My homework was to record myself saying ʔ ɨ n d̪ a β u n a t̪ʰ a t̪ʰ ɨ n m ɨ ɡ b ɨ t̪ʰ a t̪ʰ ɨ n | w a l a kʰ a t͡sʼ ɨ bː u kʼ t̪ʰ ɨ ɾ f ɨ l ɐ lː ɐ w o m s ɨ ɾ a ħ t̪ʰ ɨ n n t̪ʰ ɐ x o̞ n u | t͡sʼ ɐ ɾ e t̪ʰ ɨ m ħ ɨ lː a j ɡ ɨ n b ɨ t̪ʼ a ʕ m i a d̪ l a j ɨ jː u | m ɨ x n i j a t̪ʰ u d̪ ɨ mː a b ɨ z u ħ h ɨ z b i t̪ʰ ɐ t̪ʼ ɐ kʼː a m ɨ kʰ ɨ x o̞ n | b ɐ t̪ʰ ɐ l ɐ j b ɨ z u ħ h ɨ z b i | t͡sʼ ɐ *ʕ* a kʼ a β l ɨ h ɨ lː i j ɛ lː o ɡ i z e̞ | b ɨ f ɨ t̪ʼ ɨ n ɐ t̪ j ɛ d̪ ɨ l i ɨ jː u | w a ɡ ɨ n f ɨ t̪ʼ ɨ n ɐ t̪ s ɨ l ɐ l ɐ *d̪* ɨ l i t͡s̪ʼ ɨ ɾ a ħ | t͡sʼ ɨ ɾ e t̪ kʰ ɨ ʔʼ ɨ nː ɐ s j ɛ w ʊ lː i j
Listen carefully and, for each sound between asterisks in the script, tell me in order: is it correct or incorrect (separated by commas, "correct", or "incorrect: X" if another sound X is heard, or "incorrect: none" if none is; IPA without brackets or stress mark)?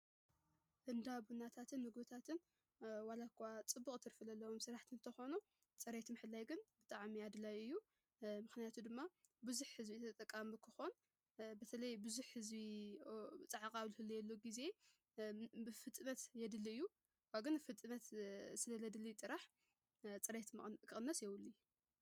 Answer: correct, correct